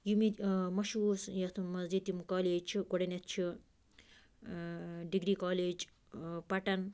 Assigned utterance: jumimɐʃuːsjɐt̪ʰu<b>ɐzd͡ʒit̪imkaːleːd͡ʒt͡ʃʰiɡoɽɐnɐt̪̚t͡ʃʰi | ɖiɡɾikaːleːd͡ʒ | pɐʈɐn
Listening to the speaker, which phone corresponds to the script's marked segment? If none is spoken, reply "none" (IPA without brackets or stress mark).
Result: m